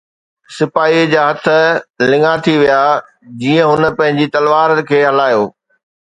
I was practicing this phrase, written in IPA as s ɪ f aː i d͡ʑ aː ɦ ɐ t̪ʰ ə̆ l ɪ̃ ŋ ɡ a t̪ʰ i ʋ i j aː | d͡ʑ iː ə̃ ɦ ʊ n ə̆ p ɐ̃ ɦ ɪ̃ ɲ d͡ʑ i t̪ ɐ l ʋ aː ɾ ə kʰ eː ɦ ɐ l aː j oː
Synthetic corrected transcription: s ɪ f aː i d͡ʑ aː ɦ ɐ t̪ʰ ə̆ l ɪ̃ ŋ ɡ a t̪ʰ i ʋ i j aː | d͡ʑ iː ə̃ ɦ ʊ n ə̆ p ɐ̃ ɦ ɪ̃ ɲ d͡ʑ i t̪ ɐ l ʋ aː ɾ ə kʰ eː ɦ ɐ l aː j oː